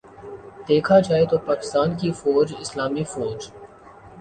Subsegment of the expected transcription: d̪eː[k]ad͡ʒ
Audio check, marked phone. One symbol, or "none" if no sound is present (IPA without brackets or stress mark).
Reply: kʰ